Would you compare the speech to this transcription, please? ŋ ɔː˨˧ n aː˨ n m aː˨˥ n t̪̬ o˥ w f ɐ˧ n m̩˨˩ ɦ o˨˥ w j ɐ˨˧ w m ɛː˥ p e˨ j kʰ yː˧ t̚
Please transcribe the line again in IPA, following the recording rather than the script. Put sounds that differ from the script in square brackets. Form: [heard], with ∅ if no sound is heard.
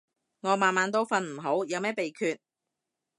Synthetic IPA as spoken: ŋ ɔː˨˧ [m] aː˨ n m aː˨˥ n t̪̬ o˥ w f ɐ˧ n m̩˨˩ ɦ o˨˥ w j ɐ˨˧ w m ɛː˥ p e˨ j kʰ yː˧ t̚